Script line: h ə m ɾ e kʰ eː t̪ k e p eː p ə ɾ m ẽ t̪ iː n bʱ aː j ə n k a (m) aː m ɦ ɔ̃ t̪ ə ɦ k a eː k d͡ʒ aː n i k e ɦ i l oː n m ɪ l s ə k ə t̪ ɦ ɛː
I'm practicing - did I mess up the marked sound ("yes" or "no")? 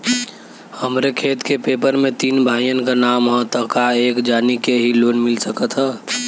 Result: yes